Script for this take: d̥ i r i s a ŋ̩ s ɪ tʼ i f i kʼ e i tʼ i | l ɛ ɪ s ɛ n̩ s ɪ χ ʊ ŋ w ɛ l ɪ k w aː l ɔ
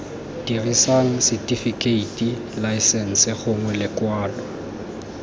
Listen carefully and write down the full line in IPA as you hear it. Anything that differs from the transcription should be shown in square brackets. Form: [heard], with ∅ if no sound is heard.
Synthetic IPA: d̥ i r i s a ŋ̩ s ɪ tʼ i f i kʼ e i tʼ i | l [a] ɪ s ɛ n̩ s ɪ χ ʊ ŋ w ɛ l ɪ k w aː l ɔ